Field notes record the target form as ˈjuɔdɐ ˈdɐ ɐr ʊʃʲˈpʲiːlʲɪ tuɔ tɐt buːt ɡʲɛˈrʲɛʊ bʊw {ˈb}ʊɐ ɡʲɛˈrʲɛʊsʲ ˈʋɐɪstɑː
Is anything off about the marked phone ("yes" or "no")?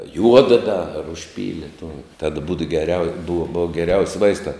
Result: no